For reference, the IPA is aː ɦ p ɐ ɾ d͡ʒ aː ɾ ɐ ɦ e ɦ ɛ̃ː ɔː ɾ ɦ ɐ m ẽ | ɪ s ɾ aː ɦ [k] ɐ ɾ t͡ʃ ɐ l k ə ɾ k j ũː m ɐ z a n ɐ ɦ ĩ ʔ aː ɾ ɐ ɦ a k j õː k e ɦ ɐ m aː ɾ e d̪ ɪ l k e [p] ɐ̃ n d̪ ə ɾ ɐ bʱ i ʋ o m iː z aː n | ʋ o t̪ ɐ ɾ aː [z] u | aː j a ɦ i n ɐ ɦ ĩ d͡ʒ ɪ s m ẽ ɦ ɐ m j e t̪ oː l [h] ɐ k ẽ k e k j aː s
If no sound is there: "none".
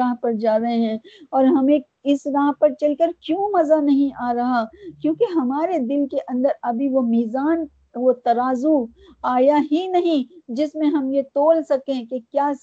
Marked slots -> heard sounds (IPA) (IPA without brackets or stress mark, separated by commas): p, ʔ, z, s